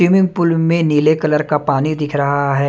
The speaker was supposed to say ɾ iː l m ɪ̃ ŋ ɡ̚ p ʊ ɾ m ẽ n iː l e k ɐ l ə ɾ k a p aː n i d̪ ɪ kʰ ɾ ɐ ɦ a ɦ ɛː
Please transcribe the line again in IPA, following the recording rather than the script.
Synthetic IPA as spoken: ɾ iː m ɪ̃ ŋ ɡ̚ p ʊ l m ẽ n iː l e k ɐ l ə ɾ k a p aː n i d̪ ɪ kʰ ɾ ɐ ɦ a ɦ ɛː

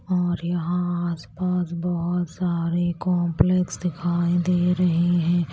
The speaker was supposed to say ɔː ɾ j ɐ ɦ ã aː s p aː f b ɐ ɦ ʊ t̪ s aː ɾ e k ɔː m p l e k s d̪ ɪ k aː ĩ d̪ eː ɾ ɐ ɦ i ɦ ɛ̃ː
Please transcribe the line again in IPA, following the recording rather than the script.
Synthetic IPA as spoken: ɔː ɾ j ɐ ɦ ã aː s p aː s b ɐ ɦ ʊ t̪ s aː ɾ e k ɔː m p l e k s d̪ ɪ kʰ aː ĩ d̪ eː ɾ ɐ ɦ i ɦ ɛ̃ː

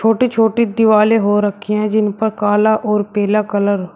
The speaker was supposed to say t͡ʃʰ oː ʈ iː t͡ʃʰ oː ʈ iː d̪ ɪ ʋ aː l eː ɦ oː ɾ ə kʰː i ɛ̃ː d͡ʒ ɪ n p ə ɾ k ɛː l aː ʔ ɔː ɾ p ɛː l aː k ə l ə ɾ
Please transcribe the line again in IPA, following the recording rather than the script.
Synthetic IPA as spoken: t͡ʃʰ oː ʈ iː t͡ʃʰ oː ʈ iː d̪ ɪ ʋ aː l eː ɦ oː ɾ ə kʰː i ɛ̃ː d͡ʒ ɪ n p ə ɾ k aː l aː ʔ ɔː ɾ p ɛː l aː k ə l ə ɾ

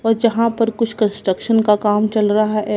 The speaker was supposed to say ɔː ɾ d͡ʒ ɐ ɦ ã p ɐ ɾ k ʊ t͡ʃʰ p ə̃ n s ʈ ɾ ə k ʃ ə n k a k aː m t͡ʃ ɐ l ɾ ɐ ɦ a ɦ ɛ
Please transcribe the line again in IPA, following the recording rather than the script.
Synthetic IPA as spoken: ɔː ɾ d͡ʒ ɐ ɦ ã p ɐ ɾ k ʊ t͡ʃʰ k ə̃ n s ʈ ɾ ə k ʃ ə n k a k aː m t͡ʃ ɐ l ɾ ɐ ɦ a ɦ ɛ

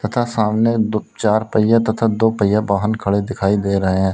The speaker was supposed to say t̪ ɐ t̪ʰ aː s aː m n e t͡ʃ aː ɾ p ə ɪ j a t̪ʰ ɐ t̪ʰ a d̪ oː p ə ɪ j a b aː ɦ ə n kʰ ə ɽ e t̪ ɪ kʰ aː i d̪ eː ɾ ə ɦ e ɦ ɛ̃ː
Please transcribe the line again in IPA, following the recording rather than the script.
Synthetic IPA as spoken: t̪ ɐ t̪ʰ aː s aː m n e t͡ʃ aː ɾ p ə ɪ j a t̪ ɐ t̪ʰ a d̪ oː p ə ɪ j a b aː ɦ ə n kʰ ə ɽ e d̪ ɪ kʰ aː i d̪ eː ɾ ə ɦ e ɦ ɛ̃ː

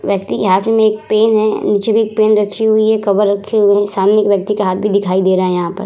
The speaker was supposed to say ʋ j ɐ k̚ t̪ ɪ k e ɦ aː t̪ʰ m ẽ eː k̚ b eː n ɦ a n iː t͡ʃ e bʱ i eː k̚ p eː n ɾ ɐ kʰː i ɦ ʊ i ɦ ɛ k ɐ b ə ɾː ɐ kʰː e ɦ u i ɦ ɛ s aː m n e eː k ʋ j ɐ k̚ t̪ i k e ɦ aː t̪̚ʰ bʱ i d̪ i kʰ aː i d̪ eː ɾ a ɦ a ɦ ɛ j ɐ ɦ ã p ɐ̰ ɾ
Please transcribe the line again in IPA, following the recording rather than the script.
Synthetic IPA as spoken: ʋ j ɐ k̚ t̪ i k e ɦ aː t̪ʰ m ẽ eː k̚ p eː n ɦ ɛ n iː t͡ʃ e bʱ i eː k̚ p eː n ɾ ɐ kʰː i ɦ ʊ i ɦ ɛ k ɐ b ə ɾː ɐ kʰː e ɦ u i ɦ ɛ s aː m n e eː k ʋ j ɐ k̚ t̪ i k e ɦ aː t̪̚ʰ bʱ i d̪ ɪ kʰ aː i d̪ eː ɾ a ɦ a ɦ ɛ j ɐ ɦ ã p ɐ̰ ɾ

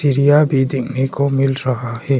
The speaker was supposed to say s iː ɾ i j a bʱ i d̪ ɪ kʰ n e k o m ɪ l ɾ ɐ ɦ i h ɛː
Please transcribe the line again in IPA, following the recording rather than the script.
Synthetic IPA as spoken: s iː ɾ i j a bʱ i d̪ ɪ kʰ n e k o m ɪ l ɾ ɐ ɦ a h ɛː

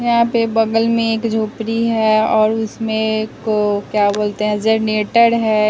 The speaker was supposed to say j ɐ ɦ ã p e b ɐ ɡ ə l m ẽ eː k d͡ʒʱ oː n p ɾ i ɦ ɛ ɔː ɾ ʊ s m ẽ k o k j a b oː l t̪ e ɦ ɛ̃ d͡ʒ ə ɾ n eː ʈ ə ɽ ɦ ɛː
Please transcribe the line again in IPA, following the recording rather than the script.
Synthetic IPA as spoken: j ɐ ɦ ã p e b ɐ ɡ ə l m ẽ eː k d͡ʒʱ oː p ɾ i ɦ ɛ ɔː ɾ ʊ s m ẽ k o k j a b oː l t̪ e ɦ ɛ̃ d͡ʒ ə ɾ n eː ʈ ə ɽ ɦ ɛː

